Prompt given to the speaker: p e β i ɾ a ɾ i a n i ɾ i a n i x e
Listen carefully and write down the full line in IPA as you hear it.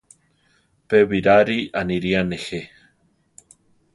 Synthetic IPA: p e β i ɾ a ɾ i a n i ɾ i a n e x e